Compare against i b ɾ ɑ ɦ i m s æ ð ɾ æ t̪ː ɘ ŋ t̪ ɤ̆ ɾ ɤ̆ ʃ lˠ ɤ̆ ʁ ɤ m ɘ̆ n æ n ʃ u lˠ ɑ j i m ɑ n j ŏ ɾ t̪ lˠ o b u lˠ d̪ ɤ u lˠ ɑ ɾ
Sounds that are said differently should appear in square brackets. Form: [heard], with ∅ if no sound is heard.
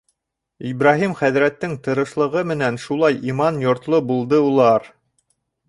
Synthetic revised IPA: i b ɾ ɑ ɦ i m [χ] æ ð ɾ æ t̪ː ɘ ŋ t̪ ɤ̆ ɾ ɤ̆ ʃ lˠ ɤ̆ ʁ ɤ m ɘ̆ n æ n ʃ u lˠ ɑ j i m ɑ n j ŏ ɾ t̪ lˠ o b u lˠ d̪ ɤ u lˠ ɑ ɾ